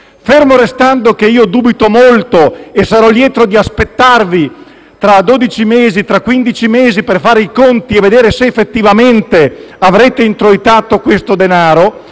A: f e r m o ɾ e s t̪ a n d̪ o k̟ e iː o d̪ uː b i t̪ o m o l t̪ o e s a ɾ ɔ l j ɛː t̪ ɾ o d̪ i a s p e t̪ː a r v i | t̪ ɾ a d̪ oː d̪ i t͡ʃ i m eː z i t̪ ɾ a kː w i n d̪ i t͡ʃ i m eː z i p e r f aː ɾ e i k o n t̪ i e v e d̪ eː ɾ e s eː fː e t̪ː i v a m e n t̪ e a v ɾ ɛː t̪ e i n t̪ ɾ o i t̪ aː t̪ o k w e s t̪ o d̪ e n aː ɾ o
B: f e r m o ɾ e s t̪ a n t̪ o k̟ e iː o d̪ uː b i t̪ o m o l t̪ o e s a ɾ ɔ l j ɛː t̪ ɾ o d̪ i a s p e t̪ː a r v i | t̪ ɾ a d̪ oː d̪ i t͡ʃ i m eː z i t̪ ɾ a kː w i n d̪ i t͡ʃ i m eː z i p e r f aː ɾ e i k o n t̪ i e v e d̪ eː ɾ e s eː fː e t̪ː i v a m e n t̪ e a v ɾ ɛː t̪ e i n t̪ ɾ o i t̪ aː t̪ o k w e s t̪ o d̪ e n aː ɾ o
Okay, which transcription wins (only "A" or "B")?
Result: A